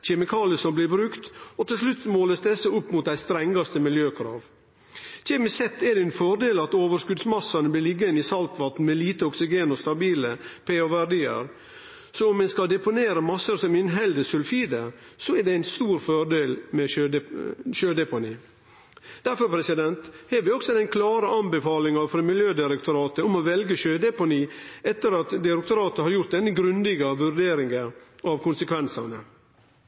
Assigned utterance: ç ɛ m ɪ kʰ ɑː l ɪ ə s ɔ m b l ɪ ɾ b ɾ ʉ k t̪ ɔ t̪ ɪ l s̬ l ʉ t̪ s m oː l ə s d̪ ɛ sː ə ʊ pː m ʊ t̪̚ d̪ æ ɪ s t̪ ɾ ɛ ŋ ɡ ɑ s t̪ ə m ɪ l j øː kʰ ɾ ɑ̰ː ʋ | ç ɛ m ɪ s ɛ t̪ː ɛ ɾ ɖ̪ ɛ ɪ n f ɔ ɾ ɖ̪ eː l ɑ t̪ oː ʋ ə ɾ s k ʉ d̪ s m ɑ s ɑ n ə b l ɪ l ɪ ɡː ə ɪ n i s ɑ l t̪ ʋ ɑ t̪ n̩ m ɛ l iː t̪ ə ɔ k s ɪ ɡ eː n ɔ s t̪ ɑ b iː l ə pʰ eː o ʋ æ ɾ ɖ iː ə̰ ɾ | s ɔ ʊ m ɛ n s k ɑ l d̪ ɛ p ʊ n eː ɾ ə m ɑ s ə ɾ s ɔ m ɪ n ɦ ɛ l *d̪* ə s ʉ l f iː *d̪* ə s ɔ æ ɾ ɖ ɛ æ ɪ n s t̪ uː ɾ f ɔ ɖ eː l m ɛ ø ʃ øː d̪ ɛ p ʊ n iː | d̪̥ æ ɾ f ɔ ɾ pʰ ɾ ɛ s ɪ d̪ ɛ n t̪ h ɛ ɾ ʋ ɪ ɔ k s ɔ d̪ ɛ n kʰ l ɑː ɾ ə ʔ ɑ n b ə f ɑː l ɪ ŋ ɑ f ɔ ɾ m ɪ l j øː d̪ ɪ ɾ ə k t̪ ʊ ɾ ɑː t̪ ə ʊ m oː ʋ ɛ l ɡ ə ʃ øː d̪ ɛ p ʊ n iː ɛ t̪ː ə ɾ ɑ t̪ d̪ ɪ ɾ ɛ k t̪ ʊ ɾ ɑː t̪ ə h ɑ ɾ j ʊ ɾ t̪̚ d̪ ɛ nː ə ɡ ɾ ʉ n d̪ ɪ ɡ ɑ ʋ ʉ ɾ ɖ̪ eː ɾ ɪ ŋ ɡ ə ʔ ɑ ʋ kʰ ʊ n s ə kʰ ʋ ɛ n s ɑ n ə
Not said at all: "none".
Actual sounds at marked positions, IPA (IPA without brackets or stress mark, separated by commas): d̪, d̪